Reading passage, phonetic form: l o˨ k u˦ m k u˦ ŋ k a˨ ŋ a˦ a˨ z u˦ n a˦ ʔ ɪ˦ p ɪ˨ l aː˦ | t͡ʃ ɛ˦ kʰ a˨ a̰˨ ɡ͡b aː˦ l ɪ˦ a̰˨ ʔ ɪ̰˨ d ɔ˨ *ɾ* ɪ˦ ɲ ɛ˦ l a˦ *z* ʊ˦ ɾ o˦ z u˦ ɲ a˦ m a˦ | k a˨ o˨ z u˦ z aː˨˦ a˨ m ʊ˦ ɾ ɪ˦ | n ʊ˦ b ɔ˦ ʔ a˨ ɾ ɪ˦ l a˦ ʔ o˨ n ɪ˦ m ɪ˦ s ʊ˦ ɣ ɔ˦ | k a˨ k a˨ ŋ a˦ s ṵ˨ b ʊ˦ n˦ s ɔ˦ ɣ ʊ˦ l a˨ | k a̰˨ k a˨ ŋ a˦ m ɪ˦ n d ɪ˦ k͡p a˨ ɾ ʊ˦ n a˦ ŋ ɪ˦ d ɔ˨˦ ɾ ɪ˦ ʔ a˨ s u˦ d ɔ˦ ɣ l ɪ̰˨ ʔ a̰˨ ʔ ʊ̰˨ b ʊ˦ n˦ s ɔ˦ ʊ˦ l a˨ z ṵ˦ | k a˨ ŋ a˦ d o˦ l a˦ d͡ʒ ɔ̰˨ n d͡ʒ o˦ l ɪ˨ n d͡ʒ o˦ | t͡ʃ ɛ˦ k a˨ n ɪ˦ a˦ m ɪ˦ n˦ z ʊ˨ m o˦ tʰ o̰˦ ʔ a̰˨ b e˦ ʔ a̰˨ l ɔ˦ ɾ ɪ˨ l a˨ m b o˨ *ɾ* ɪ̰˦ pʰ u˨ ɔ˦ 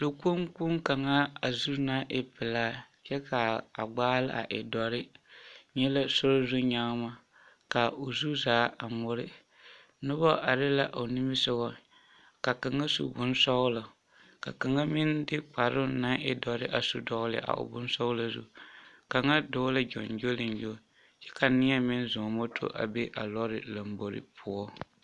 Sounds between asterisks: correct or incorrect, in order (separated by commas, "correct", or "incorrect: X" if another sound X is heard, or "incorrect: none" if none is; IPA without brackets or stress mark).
correct, incorrect: s, correct